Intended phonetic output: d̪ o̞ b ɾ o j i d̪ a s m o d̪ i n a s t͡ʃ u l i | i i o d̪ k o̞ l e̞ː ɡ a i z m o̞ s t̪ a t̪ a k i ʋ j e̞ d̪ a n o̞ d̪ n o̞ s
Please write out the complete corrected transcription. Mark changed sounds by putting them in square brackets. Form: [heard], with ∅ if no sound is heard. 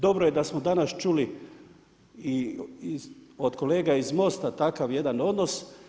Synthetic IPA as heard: d̪ o̞ b ɾ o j [e] d̪ a s m o d̪ [a] n a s t͡ʃ u l i | i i o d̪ k o̞ l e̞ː ɡ a i z m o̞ s t̪ a t̪ a k [a] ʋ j e̞ d̪ a n o̞ d̪ n o̞ s